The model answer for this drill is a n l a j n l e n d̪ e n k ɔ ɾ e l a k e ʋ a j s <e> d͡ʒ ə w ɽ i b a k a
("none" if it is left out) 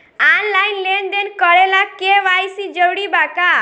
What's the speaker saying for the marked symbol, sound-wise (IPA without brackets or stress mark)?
i